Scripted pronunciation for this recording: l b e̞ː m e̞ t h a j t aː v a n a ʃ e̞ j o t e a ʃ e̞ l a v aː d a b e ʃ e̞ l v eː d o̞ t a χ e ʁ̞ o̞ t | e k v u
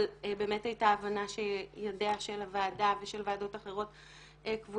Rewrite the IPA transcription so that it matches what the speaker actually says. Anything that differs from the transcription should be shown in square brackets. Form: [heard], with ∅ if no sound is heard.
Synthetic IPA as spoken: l b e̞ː m e̞ t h a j t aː v a n a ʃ e̞ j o [d] e a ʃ e̞ l a v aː d a [v] e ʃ e̞ l v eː d o̞ t a χ e ʁ̞ o̞ t | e k v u